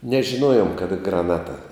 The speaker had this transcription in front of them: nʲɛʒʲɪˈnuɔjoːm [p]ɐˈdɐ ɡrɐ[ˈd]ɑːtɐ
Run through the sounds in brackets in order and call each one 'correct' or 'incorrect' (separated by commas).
incorrect, incorrect